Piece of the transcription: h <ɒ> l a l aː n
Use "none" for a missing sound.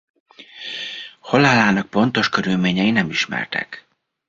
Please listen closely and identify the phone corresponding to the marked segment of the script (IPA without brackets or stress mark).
o